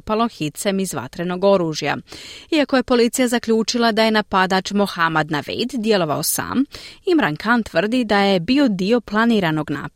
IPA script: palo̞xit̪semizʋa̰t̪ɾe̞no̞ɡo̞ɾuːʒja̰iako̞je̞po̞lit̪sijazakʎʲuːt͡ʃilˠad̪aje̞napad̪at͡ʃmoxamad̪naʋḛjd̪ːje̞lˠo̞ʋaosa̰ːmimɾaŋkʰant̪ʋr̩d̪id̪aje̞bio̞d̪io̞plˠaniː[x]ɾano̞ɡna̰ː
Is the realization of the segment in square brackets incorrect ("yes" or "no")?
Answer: yes